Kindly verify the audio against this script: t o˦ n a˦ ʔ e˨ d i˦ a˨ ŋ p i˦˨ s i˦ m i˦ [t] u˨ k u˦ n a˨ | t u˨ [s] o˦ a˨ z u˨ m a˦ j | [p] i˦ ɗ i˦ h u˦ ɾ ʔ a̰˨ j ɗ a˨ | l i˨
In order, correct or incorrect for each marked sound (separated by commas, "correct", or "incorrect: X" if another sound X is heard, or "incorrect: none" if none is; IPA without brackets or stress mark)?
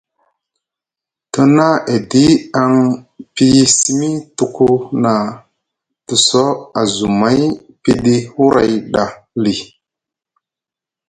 correct, correct, correct